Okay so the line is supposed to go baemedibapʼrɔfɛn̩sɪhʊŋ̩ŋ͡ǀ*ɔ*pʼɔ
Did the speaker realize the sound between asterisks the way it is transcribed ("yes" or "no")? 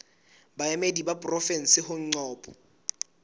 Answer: no